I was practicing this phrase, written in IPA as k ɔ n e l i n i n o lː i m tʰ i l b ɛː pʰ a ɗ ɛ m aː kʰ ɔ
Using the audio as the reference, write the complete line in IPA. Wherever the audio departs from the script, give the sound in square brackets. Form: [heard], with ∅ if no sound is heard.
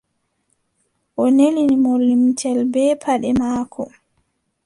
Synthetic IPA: [ʔ] ɔ n e l i n i [m] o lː i m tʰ [ɛ] l b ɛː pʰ a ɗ ɛ m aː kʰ ɔ